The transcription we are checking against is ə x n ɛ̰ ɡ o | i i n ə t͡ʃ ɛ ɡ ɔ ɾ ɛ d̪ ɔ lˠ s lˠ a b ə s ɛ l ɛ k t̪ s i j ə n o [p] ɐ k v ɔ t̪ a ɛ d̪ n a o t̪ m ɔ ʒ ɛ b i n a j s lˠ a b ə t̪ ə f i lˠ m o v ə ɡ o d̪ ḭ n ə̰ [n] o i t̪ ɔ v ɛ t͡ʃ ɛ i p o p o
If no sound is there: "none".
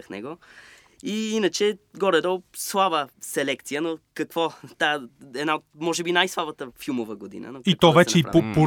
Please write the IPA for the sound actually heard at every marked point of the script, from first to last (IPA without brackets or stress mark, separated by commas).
k, n